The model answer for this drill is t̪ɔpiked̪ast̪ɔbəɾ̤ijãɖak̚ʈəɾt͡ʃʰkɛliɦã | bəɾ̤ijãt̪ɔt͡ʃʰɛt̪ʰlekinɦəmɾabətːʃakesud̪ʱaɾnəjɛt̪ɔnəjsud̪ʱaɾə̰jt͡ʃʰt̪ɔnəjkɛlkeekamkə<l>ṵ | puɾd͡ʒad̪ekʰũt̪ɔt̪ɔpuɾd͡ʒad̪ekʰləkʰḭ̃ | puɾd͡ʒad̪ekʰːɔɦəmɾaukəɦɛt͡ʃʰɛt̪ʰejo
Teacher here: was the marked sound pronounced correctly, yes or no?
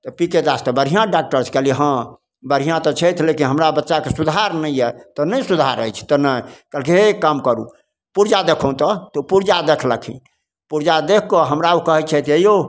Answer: no